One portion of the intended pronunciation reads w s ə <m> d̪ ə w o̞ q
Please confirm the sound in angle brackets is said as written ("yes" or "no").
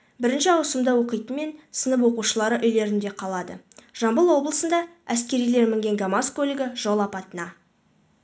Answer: yes